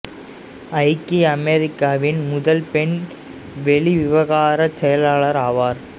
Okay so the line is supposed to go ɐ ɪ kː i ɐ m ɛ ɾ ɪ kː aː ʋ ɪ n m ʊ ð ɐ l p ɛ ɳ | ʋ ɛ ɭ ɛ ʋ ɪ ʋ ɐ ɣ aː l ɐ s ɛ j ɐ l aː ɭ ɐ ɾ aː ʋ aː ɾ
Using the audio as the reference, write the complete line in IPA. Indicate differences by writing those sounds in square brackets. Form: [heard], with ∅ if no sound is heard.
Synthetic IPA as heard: ɐ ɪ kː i ɐ m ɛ ɾ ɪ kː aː ʋ ɪ n m ʊ ð ɐ l p ɛ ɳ | ʋ ɛ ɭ [i] ʋ ɪ ʋ ɐ ɣ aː [ɾ] ɐ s ɛ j ɐ l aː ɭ ɐ ɾ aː ʋ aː ɾ